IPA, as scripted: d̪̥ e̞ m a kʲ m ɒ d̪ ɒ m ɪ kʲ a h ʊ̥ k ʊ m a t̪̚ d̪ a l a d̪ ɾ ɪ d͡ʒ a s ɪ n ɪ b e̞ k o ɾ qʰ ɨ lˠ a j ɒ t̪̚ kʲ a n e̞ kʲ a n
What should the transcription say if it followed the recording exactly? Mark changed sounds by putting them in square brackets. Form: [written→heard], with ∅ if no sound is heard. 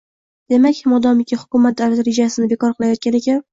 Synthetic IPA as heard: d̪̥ e̞ m a kʲ m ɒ d̪ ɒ m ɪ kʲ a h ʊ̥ k ʊ m a t̪̚ d̪ a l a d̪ ɾ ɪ d͡ʒ a s ɪ n ɪ b e̞ k [o→ɒ] ɾ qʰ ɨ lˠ a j ɒ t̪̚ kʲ a n e̞ kʲ a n